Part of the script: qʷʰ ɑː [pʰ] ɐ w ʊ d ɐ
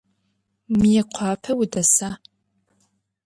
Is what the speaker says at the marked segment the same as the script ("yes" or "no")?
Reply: yes